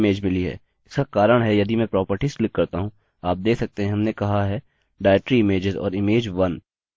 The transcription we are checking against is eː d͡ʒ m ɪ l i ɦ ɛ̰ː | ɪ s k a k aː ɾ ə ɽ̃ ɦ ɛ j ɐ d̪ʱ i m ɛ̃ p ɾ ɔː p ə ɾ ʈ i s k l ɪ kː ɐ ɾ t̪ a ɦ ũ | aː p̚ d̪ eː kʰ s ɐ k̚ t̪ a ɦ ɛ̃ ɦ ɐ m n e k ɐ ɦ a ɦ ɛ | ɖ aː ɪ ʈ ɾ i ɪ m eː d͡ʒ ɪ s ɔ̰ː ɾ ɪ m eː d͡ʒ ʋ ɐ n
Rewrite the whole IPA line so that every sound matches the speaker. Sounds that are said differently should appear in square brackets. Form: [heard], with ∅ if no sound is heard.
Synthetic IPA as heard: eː d͡ʒ m ɪ l i ɦ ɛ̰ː | ɪ s k a k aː ɾ ə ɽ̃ ɦ ɛ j ɐ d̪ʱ i m ɛ̃ p ɾ ɔː p ə ɾ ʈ i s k l ɪ kː ɐ ɾ t̪ a ɦ ũ | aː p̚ d̪ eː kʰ s ɐ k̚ t̪ [e] ɦ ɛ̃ ɦ ɐ m n e k ɐ ɦ a ɦ ɛ | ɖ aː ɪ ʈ ɾ i ɪ m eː d͡ʒ ɪ [z] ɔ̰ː ɾ ɪ m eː d͡ʒ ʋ ɐ n